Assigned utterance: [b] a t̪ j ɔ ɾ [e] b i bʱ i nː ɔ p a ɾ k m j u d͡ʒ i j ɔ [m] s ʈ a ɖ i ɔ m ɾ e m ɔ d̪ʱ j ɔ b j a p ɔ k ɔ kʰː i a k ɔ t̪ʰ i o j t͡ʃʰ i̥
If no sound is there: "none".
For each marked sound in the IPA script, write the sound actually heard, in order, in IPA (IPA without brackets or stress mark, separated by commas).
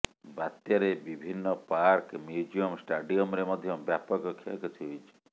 b, e, m